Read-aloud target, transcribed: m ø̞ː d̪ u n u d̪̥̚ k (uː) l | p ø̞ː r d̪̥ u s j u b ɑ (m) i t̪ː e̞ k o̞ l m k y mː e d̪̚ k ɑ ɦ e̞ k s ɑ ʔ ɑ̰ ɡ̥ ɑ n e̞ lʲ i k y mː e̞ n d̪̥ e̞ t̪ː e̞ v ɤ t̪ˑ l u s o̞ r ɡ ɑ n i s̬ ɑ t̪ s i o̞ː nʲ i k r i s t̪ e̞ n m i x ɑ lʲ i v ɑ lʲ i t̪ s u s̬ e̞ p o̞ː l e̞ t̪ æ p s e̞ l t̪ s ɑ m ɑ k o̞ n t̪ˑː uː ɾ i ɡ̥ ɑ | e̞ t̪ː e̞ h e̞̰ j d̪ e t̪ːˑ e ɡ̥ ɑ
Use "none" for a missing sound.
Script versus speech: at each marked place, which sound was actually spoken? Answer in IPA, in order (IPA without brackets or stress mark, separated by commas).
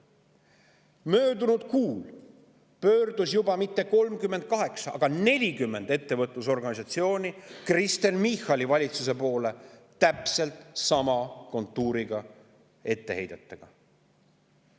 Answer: uː, m